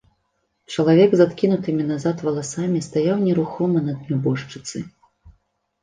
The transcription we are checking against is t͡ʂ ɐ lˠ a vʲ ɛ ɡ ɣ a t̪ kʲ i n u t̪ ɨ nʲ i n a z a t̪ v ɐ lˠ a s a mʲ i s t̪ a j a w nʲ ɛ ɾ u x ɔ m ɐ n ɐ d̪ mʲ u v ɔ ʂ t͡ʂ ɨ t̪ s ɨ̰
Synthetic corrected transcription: t͡ʂ ɐ lˠ a vʲ ɛ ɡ z a t̪ kʲ i n u t̪ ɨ mʲ i n a z a t̪ v ɐ lˠ a s a mʲ i s t̪ a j a w nʲ ɛ ɾ u x ɔ m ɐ n ɐ d̪ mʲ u b ɔ ʂ t͡ʂ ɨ t̪ s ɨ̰

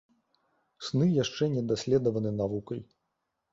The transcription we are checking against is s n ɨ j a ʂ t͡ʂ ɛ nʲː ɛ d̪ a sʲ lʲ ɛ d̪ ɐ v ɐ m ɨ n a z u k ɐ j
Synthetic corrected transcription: s n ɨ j a ʂ t͡ʂ ɛ nʲ ɛ d̪ a sʲ lʲ ɛ d̪ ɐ v ɐ n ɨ n a v u k ɐ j

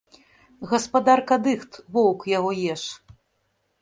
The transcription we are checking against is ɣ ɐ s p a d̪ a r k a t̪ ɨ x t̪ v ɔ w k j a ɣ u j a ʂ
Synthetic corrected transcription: ɣ ɐ s p a d̪ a r k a d̪ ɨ x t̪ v ɔ w k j a ɣ ɔ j ɛ ʂ

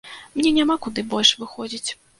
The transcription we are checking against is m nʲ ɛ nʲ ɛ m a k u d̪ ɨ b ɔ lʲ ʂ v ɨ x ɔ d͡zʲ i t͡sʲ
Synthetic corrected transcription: m nʲ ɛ nʲ a m a k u d̪ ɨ b ɔ lʲ ʂ v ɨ x ɔ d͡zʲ i t͡sʲ

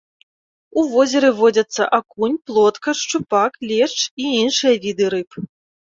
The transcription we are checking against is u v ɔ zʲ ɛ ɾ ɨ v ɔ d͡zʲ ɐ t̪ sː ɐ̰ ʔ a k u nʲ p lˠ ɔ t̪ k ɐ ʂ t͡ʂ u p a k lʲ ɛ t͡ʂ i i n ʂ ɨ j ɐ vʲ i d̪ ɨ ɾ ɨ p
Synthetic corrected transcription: u v ɔ zʲ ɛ ɾ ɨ v ɔ d͡zʲ ɐ t̪ sː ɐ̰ ʔ a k u nʲ p lˠ ɔ t̪ k ɐ ʂ t͡ʂ u p a k lʲ ɛ t͡ʂ i i n ʂ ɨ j ɐ vʲ i d̪ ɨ ɾ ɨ p

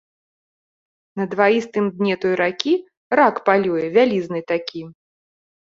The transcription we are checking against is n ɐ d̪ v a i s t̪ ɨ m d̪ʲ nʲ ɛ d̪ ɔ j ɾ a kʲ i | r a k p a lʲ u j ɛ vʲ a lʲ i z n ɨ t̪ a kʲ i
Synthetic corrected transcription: n ɐ d̪ v a i s t̪ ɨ m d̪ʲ nʲ ɛ t̪ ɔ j ɾ a kʲ i | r a k p a lʲ u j ɛ vʲ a lʲ i z n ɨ t̪ a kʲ i

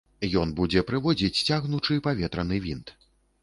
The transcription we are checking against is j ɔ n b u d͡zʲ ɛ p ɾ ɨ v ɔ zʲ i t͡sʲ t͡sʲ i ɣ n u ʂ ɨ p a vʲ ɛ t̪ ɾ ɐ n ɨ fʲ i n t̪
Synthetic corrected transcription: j ɔ n b u d͡zʲ ɛ p ɾ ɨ v ɔ d͡zʲ i t͡sʲ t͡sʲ a ɣ n u t͡ʂ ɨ p a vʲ ɛ t̪ ɾ ɐ n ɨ vʲ i n t̪

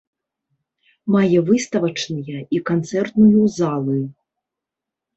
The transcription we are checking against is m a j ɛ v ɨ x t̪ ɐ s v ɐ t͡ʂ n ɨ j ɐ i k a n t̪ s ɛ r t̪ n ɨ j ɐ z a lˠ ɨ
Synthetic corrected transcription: m a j ɛ v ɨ s t̪ ɐ v ɐ t͡ʂ n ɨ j ɐ i k a n t̪ s ɛ r t̪ n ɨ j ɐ z a lˠ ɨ

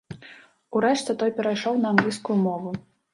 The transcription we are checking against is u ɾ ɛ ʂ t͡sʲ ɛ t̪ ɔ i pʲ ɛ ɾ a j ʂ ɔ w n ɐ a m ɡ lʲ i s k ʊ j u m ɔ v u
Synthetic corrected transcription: u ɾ ɛ ʂ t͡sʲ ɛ t̪ ɔ j pʲ ɛ ɾ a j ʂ ɔ w n ɐ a m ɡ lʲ i s k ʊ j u m ɔ v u

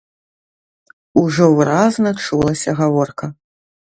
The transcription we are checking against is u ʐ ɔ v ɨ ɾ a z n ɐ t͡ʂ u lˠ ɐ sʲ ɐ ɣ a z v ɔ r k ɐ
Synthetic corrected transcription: u ʐ ɔ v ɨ ɾ a z n ɐ t͡ʂ u lˠ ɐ sʲ ɐ ɣ a v ɔ r k ɐ

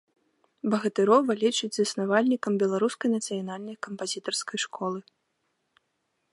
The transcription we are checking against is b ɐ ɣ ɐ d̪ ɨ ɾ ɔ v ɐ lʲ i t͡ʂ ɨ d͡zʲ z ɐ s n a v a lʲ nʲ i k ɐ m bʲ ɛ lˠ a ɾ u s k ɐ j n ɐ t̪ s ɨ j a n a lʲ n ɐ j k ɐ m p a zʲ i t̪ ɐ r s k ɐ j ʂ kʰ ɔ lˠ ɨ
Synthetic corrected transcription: b ɐ ɣ ɐ t̪ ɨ ɾ ɔ v ɐ lʲ i t͡ʂ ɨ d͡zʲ z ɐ s n a v a lʲ nʲ i k ɐ m bʲ ɛ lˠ a ɾ u s k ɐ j n ɐ t̪ s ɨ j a n a lʲ n ɐ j k ɐ m p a zʲ i t̪ ɐ r s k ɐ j ʂ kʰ ɔ lˠ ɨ

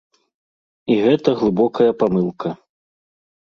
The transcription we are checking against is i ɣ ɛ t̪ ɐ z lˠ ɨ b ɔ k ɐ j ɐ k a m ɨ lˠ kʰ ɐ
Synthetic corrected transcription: i ɣ ɛ t̪ ɐ ɣ lˠ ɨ b ɔ k ɐ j ɐ p a m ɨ lˠ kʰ ɐ

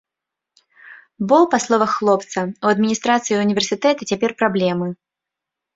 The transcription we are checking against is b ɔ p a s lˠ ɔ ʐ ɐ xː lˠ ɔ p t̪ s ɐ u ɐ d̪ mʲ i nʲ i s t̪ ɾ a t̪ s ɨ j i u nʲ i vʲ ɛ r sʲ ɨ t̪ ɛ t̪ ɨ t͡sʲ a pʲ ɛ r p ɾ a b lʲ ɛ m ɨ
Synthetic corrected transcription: b ɔ p a s lˠ ɔ v ɐ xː lˠ ɔ p t̪ s ɐ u ɐ d̪ mʲ i nʲ i s t̪ ɾ a t̪ s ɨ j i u nʲ i vʲ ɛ r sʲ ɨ t̪ ɛ t̪ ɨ t͡sʲ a pʲ ɛ r p ɾ a b lʲ ɛ m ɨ

